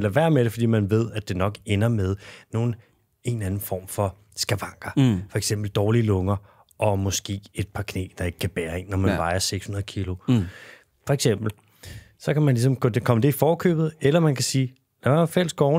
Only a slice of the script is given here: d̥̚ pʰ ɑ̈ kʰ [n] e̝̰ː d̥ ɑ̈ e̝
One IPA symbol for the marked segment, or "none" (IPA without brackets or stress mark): n